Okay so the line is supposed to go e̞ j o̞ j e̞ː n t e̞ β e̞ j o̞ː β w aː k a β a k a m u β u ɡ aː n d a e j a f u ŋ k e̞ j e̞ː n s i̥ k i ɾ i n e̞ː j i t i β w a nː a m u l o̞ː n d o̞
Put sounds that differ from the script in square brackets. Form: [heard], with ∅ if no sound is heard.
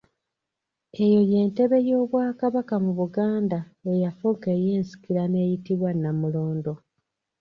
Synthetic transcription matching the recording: e̞ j o̞ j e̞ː n t e̞ β e̞ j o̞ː β w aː k a β a k a m u β u ɡ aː n d a e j a f u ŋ k e̞ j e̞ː n s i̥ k i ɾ [a] n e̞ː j i t i β w a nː a m u l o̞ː n d o̞

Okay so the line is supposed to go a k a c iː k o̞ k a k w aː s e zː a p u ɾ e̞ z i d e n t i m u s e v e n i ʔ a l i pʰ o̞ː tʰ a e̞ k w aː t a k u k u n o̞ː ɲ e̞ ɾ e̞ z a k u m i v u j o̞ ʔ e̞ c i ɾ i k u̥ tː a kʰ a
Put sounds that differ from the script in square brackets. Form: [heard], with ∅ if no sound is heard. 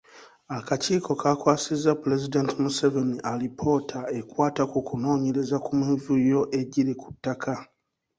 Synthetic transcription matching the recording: a k a c iː k o̞ k a k w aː s [i] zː a p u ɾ e̞ z i d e n t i m u s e v e n i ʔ a l i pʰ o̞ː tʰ a e̞ k w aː t a k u k u n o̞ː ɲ e̞ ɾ e̞ z a k u m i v u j o̞ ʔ e̞ [ɟ] i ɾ i k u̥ tː a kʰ a

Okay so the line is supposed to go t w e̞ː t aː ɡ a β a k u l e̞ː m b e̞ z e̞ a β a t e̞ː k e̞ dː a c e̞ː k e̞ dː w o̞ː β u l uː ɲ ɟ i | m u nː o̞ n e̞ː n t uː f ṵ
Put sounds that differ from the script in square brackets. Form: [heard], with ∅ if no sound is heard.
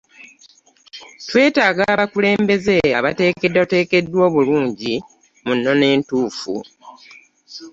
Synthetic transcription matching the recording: t w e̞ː t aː ɡ a β a k u l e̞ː m b e̞ z e̞ a β a t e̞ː k e̞ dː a [t] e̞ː k e̞ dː w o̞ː β u l uː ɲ ɟ i | m u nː o̞ n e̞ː n t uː f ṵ

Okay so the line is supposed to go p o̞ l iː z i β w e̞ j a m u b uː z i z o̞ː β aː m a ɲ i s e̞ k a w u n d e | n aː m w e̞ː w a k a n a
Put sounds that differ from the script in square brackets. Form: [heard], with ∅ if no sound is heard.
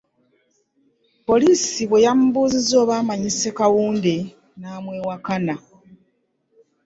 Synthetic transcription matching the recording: p o̞ l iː [s] i β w e̞ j a m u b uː z i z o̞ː β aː m a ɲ i s e̞ k a w [uː] n d e | n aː m w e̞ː w a k a n a

